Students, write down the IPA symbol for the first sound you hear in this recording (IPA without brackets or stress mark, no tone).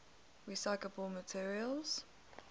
ɹ